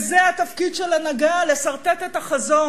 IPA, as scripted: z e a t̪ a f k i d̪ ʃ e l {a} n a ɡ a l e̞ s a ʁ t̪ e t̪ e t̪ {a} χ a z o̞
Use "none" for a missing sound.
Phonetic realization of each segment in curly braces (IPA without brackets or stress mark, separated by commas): a, a